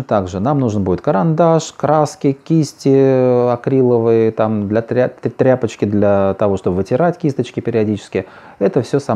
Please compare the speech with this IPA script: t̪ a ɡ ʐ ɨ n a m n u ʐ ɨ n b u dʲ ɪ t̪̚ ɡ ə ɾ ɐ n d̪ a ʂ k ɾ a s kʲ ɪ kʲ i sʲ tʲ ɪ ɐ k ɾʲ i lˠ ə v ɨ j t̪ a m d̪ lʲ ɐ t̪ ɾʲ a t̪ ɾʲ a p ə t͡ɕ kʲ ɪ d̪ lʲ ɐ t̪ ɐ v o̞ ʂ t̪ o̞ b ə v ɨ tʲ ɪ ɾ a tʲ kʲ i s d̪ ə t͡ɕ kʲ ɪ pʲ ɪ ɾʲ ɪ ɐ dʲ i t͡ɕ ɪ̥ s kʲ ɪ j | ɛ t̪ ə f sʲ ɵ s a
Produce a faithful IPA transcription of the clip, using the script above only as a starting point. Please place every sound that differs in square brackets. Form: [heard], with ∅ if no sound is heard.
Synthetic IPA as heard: t̪ a ɡ ʐ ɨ n a m n u ʐ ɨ n b u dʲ ɪ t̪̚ [k] ə ɾ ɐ n d̪ a ʂ k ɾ a s kʲ ɪ kʲ i sʲ tʲ ɪ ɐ k ɾʲ i lˠ ə v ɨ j t̪ a m d̪ lʲ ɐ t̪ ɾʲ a t̪ ɾʲ a p ə t͡ɕ kʲ ɪ d̪ lʲ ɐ t̪ ɐ v o̞ ʂ t̪ o̞ b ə v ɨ tʲ ɪ ɾ a tʲ kʲ i s [t̪] ə t͡ɕ kʲ ɪ pʲ ɪ ɾʲ ɪ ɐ dʲ i t͡ɕ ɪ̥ s kʲ ɪ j | ɛ t̪ ə f sʲ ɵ s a